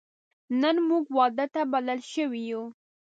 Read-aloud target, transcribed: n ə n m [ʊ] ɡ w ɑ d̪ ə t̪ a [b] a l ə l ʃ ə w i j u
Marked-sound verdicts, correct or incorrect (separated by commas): incorrect, correct